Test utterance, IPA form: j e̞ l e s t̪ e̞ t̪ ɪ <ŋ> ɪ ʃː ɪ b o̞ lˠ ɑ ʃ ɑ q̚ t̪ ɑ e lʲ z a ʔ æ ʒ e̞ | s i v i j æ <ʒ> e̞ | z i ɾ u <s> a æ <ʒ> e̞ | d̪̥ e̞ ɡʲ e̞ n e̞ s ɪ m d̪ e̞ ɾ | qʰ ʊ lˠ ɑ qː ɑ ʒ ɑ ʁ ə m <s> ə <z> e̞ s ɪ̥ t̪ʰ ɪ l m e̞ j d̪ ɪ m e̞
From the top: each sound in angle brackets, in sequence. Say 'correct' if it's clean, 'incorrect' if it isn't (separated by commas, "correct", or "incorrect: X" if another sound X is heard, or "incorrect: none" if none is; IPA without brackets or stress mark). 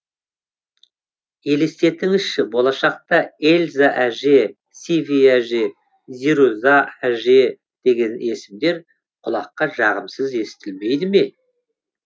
correct, correct, incorrect: z, correct, correct, correct